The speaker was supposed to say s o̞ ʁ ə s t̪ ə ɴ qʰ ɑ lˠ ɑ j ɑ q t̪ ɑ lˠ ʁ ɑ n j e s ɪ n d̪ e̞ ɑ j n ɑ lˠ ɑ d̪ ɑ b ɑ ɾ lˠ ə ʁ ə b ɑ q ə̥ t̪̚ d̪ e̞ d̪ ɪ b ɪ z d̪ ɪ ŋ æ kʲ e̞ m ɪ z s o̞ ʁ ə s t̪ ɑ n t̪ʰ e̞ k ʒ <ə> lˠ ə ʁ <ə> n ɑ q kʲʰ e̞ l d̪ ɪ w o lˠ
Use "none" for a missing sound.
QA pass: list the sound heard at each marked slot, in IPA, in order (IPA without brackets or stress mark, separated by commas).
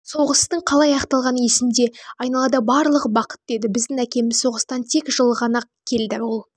ə, ɑ